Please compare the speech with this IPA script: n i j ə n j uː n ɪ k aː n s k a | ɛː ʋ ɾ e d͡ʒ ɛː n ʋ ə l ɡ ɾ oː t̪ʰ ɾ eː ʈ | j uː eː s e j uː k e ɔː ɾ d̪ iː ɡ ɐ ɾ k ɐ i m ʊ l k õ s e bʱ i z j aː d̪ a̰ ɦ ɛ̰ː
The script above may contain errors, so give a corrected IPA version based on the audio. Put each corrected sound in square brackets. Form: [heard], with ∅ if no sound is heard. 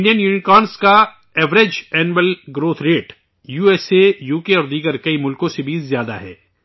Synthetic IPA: n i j ə n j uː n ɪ k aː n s k a | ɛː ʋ ɾ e d͡ʒ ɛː n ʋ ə l ɡ ɾ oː t̪ʰ ɾ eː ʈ | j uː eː s e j uː k e ɔː ɾ d̪ iː ɡ [ə] ɾ k ɐ i m ʊ l k õ s e bʱ i z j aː d̪ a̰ ɦ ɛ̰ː